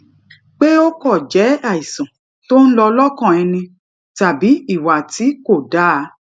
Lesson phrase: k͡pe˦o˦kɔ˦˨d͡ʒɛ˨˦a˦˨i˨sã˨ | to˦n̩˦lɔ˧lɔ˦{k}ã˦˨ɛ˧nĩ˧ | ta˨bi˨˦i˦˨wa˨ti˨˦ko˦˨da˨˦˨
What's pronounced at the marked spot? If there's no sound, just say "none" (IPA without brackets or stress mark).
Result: k